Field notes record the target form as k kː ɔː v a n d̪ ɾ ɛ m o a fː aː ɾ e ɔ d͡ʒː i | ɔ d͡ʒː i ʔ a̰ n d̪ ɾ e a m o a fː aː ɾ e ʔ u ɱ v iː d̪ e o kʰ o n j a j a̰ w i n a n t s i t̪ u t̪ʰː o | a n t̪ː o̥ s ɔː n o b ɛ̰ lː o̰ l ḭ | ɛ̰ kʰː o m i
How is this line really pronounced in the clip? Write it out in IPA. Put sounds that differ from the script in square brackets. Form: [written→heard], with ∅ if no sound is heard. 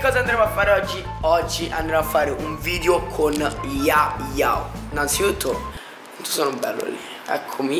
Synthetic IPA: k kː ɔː [v→z] a n d̪ ɾ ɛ m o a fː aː ɾ e ɔ d͡ʒː i | ɔ d͡ʒː i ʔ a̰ n d̪ ɾ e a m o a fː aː ɾ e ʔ u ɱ v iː d̪ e o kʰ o n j a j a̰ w i n a n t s i t̪ u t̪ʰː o | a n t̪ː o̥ s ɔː n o b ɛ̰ lː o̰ l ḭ | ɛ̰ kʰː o m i